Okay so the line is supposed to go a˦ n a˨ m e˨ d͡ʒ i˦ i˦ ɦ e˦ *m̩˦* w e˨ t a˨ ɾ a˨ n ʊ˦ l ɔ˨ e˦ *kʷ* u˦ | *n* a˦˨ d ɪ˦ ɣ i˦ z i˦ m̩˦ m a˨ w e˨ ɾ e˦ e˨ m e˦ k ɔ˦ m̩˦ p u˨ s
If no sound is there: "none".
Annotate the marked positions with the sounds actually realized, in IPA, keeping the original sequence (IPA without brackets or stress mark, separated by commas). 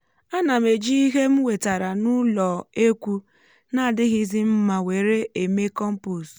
m̩˦, kʷ, n